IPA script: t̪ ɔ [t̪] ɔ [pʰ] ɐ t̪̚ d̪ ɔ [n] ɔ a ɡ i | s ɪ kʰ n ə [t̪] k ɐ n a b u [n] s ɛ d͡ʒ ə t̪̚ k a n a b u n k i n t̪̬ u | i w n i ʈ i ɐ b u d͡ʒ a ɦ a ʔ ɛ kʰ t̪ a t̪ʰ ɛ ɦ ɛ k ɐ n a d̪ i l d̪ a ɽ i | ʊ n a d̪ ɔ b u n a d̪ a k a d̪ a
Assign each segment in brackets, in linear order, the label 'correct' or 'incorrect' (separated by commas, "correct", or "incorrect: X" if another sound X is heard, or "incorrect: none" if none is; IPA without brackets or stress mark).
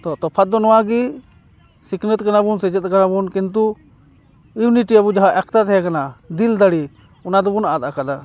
correct, correct, correct, correct, correct